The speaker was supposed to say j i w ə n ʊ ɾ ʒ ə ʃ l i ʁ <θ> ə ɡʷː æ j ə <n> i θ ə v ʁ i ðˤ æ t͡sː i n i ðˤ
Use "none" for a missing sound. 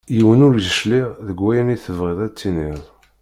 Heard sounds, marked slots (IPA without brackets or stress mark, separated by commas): ð, n